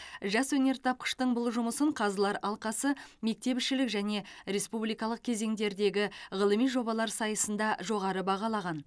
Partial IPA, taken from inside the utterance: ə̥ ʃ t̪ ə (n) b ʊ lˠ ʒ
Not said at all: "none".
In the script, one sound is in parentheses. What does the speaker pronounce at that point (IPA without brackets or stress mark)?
ɴ